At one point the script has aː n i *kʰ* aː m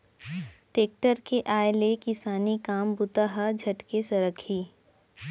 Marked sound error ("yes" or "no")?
yes